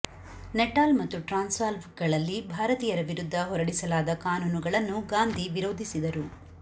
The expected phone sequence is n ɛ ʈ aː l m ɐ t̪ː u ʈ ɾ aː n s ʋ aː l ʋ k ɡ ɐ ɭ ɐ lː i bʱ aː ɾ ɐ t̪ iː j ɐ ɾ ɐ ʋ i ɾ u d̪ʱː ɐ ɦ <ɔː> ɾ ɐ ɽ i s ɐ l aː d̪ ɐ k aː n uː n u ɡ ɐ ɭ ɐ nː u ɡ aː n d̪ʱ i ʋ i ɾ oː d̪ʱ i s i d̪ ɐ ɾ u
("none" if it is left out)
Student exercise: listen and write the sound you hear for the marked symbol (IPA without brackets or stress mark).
ɔ